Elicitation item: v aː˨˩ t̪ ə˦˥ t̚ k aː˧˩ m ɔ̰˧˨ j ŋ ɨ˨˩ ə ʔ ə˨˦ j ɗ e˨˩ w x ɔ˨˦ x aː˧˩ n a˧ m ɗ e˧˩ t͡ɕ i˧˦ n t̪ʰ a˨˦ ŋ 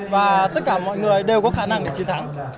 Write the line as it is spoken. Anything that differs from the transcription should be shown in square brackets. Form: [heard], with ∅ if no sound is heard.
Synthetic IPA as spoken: v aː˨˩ t̪ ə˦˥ t̚ k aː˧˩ m ɔ̰˧˨ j ŋ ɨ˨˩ ə ʔ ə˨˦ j ɗ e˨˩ w [k] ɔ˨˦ x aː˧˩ n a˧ [ŋ] ɗ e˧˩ t͡ɕ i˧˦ n t̪ʰ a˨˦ ŋ

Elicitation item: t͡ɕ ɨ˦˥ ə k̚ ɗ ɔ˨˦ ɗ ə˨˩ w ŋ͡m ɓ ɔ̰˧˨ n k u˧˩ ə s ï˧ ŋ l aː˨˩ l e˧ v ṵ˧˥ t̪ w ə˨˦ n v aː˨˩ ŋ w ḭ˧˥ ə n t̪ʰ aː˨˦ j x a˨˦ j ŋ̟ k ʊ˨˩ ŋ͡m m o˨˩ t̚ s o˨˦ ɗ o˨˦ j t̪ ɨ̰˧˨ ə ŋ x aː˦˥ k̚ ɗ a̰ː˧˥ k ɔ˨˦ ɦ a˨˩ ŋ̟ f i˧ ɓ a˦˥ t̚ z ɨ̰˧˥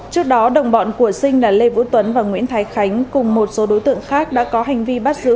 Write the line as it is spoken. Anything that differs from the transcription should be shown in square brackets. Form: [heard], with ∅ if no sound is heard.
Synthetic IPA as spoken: t͡ɕ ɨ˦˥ ə k̚ ɗ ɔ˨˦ ɗ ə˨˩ w ŋ͡m ɓ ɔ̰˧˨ n k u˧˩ ə s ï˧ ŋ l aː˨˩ l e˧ v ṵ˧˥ t̪ w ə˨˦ n v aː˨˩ ŋ w ḭ˧˥ ə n t̪ʰ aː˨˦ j x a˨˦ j ŋ̟ k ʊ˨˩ ŋ͡m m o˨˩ t̚ s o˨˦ ɗ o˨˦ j t̪ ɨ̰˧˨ ə ŋ x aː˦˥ k̚ ɗ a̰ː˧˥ k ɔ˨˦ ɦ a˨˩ ŋ̟ [v] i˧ ɓ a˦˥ t̚ z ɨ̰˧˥

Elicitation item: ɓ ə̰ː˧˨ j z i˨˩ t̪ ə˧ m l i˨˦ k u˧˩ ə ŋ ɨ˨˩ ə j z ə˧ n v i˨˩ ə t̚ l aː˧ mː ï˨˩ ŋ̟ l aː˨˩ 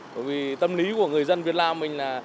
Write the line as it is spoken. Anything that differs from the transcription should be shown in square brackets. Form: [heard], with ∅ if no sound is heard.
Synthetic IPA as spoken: ɓ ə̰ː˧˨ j [v] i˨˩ t̪ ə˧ m l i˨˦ k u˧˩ ə ŋ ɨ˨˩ ə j z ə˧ n v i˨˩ ə t̚ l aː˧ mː ï˨˩ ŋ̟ l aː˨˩

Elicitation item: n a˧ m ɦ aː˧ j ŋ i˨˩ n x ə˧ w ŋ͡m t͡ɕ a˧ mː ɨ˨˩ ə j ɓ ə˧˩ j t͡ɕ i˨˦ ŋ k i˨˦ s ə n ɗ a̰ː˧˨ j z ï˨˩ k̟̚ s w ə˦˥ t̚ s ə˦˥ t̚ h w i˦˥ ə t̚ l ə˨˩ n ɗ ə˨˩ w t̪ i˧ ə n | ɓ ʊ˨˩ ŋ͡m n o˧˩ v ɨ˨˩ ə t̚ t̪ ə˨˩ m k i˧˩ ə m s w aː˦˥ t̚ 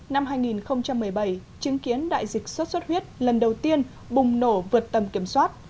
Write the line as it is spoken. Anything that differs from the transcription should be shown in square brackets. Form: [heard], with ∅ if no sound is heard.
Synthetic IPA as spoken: n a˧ m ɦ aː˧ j ŋ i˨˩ n x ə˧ w ŋ͡m t͡ɕ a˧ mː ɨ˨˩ ə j ɓ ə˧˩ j t͡ɕ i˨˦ ŋ k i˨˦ [∅] ə n ɗ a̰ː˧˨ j z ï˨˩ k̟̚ s w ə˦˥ t̚ s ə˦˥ t̚ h w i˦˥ ə t̚ l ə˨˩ n ɗ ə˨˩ w t̪ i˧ ə n | ɓ ʊ˨˩ ŋ͡m n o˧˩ v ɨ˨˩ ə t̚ t̪ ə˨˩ m k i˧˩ ə m s w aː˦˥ t̚

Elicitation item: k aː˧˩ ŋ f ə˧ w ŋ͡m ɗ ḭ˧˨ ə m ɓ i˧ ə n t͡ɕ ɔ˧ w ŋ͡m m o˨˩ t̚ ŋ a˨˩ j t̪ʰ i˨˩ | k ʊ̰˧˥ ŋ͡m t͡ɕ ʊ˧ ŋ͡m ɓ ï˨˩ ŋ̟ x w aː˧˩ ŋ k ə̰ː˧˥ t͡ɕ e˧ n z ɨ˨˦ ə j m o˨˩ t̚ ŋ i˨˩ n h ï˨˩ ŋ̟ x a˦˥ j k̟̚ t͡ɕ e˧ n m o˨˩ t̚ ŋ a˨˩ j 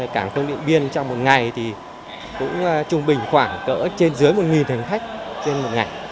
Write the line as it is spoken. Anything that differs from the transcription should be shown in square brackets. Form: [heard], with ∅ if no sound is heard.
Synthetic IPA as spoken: k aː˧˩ ŋ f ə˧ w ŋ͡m ɗ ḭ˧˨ ə [n] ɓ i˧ ə n t͡ɕ ɔ˧ w ŋ͡m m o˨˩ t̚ ŋ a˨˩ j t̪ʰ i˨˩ | k ʊ̰˧˥ ŋ͡m t͡ɕ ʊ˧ ŋ͡m ɓ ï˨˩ ŋ̟ x w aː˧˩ ŋ k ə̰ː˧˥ t͡ɕ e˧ n z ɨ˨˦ ə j m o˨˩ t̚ ŋ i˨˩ n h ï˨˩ ŋ̟ x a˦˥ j k̟̚ t͡ɕ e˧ n m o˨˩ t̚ ŋ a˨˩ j

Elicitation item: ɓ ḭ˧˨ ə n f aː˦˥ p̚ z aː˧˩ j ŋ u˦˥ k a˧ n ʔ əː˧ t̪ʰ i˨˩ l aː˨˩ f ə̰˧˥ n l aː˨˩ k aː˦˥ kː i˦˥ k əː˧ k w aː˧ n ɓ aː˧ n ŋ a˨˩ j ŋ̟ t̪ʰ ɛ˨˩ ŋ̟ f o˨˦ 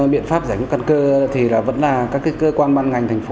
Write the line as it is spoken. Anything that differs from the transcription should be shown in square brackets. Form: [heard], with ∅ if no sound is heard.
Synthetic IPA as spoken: ɓ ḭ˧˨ ə n f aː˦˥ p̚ z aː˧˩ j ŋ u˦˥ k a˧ n [k] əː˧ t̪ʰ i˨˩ l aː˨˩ [v] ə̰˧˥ n l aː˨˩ k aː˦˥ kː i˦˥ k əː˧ k w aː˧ n ɓ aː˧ n ŋ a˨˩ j ŋ̟ t̪ʰ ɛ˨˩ ŋ̟ f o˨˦

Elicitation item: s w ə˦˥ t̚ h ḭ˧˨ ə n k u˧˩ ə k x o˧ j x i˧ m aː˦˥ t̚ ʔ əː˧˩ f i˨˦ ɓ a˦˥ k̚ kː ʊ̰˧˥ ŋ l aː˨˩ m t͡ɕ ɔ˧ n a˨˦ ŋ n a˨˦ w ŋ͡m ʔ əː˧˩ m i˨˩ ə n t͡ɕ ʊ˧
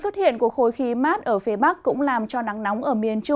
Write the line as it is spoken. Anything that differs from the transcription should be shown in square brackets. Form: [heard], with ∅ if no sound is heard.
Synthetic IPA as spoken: s w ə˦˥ t̚ h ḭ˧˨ ə n k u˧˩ ə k x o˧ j x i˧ m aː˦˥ t̚ ʔ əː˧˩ f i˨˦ ɓ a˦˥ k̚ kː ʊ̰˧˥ [ŋ͡m] l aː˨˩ m t͡ɕ ɔ˧ n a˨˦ ŋ n a˨˦ w ŋ͡m ʔ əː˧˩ m i˨˩ ə n t͡ɕ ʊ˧

